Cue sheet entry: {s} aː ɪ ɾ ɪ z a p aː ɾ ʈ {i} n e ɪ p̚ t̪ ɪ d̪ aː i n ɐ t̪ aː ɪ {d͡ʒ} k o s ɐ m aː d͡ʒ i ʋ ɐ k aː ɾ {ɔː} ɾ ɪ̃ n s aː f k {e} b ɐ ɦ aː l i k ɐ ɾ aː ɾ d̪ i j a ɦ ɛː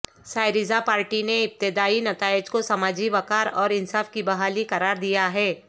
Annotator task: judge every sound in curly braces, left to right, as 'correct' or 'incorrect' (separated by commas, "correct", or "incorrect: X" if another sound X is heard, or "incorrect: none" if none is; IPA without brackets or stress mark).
correct, correct, correct, correct, incorrect: i